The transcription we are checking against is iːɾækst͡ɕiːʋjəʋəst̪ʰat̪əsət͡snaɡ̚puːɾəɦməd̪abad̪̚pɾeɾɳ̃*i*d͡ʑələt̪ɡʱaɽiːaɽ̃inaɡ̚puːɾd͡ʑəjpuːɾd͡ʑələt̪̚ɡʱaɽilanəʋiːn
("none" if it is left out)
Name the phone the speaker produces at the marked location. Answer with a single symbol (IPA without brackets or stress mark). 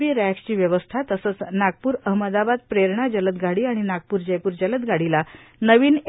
a